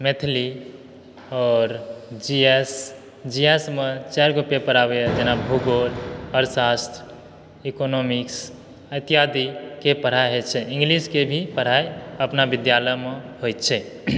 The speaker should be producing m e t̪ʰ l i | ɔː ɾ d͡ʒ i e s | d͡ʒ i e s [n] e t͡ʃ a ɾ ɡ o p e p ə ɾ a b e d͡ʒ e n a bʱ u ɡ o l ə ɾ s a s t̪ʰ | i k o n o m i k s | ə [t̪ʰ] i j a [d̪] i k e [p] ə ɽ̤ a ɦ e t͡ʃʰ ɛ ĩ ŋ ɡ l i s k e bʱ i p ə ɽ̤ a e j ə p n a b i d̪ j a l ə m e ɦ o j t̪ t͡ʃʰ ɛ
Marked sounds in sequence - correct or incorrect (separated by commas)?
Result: incorrect, incorrect, correct, correct